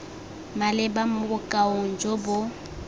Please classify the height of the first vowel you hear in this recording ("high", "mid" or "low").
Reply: low